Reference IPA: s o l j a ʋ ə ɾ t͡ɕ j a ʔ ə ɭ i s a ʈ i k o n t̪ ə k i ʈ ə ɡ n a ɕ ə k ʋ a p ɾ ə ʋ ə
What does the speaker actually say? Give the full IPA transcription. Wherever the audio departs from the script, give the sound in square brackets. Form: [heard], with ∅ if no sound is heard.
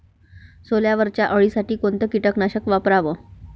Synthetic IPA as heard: s o l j a ʋ ə ɾ t͡ɕ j a ʔ ə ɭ i s a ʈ [iː] k o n t̪ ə k i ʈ ə [k] n a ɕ ə k ʋ a p ɾ [a] ʋ ə